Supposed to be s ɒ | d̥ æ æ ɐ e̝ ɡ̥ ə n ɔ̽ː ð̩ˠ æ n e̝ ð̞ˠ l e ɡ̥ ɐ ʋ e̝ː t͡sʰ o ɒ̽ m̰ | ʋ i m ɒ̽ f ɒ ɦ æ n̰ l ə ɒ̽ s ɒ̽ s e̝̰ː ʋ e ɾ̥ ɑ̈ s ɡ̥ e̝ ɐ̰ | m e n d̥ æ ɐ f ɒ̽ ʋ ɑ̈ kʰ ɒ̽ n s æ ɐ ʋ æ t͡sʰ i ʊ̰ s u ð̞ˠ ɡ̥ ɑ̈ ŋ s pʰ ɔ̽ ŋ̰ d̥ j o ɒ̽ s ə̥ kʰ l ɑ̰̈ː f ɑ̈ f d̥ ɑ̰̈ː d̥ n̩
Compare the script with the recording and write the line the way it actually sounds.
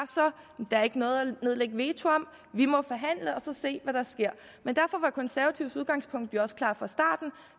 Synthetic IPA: s ɒ | d̥ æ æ ɐ e̝ ɡ̥ ə n ɔ̽ː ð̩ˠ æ n e̝ ð̞ˠ l e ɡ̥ ə ʋ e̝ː t͡sʰ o ɒ̽ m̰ | ʋ i m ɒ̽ f ɒ ɦ æ n̰ l ə ɒ̽ s ɒ̽ s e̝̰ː ʋ æ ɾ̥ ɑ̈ s ɡ̥ e̝ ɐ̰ | m e n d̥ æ ɐ f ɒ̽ ʋ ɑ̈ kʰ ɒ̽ n s æ ɐ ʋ æ t͡sʰ i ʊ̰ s u ð̞ˠ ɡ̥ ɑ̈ ŋ s pʰ ɔ̽ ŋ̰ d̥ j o ɒ̽ s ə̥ kʰ l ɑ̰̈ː f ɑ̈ s d̥ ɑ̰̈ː d̥ n̩